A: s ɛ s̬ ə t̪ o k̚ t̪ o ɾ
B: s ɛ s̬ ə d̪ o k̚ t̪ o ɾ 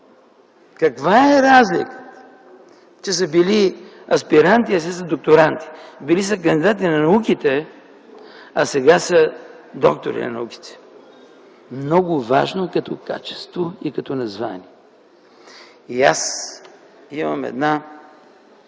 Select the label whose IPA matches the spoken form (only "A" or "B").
B